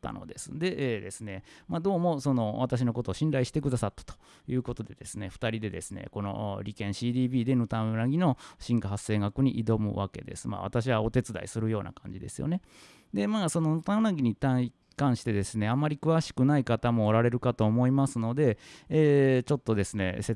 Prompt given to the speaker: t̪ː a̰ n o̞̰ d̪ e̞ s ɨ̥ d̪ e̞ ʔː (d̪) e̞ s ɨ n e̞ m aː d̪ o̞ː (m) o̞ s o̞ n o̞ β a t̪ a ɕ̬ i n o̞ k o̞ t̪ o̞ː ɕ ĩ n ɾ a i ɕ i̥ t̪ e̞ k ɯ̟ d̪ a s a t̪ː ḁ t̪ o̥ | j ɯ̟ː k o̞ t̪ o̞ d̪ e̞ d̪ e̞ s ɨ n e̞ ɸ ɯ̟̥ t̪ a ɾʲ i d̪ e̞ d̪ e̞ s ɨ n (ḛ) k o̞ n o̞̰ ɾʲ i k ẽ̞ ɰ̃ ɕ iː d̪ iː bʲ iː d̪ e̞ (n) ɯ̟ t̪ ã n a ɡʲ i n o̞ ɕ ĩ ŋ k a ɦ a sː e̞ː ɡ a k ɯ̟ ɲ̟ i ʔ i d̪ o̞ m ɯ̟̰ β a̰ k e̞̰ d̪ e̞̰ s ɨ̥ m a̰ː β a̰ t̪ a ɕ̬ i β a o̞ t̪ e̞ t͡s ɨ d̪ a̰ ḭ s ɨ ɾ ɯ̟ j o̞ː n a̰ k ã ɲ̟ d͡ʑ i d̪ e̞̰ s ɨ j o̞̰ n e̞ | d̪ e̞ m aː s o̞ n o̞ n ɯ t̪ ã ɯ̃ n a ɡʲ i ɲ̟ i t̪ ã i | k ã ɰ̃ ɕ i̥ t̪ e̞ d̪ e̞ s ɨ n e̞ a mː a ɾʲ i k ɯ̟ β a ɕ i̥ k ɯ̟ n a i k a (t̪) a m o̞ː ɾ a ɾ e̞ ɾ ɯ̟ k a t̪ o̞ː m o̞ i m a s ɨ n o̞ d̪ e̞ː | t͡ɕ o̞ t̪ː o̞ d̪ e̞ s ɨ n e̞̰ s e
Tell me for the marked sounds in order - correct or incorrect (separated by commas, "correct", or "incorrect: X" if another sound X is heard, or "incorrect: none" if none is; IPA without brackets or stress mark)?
correct, correct, correct, correct, correct